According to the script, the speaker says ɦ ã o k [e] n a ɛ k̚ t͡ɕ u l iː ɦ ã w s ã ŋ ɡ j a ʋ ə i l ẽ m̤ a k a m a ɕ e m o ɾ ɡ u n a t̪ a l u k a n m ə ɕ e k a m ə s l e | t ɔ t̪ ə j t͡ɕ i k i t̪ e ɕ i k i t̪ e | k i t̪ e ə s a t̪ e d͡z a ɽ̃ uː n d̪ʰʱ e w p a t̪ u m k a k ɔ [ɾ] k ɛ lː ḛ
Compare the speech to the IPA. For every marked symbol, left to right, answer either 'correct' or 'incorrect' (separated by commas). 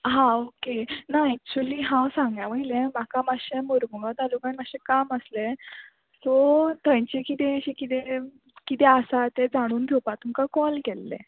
correct, incorrect